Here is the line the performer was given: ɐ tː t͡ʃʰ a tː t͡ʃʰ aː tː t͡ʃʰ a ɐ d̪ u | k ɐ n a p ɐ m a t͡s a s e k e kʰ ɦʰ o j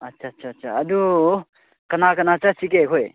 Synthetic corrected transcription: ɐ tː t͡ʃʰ a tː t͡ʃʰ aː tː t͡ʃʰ a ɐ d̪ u | k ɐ n a k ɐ n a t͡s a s i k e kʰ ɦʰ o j